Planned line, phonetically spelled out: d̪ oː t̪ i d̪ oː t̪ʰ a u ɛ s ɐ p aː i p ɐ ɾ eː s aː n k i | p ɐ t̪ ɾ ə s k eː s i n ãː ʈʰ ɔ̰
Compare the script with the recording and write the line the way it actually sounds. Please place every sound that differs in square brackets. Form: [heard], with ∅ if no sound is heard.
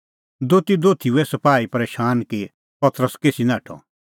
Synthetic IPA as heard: d̪ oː t̪ i d̪ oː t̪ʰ [i] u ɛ s ɐ p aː i p ɐ ɾ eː [ʃ] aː n k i | p ɐ t̪ ɾ ə s k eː s i n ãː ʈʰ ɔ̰